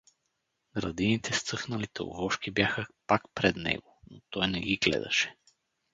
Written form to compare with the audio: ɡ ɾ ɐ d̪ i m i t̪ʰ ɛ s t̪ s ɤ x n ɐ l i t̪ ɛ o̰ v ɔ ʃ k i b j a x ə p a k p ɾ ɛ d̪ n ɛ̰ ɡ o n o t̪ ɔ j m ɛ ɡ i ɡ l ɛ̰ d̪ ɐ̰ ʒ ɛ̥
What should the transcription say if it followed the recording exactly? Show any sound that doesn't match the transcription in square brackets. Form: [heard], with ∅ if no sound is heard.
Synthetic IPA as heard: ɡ ɾ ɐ d̪ i [n] i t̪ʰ ɛ s t̪ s ɤ x n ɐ l i t̪ ɛ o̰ v ɔ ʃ k i b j a x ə p a k p ɾ ɛ d̪ n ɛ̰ ɡ o n o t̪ ɔ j [n] ɛ ɡ i ɡ l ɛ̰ d̪ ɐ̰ [ʃ] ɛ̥